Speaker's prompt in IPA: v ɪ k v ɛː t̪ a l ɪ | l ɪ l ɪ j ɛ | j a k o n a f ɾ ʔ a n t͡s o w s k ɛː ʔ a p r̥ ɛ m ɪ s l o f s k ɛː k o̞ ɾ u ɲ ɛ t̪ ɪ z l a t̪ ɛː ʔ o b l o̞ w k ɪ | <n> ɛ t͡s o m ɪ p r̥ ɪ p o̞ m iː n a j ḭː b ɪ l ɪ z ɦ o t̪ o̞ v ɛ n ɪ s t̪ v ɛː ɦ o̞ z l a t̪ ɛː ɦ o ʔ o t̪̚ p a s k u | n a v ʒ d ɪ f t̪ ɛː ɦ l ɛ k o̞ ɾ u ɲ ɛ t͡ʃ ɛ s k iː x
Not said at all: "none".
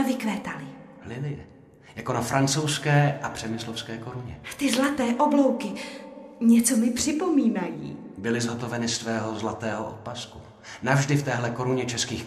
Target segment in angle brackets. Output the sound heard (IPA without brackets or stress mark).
ɲ